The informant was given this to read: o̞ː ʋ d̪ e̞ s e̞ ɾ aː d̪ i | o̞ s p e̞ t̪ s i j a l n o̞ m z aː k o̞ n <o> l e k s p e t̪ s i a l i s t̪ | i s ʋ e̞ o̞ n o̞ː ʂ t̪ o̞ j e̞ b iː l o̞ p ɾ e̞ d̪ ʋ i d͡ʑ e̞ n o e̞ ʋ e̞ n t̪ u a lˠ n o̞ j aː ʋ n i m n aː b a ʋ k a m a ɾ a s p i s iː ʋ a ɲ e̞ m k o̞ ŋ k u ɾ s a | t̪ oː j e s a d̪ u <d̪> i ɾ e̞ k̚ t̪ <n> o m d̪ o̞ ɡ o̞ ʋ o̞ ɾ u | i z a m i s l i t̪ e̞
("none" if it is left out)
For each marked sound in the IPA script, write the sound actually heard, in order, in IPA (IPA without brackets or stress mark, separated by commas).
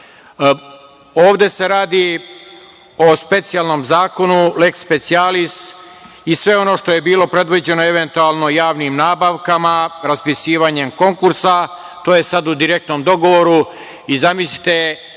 u, d̪, n